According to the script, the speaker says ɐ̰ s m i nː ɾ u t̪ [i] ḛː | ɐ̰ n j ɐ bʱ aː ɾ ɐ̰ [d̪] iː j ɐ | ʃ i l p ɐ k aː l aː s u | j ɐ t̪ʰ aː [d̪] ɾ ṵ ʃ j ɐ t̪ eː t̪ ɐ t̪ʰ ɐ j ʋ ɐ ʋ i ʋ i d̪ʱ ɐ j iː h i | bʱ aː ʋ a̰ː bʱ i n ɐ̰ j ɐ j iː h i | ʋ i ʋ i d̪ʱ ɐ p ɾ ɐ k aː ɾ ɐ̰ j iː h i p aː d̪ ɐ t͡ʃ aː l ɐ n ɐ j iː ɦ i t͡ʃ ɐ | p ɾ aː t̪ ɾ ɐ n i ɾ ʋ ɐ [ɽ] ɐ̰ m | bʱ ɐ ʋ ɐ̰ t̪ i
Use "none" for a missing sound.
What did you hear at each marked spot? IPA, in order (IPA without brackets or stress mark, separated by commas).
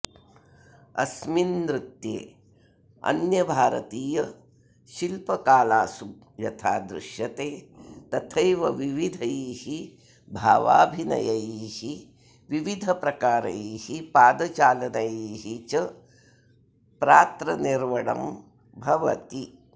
j, t̪, d̪, ɽ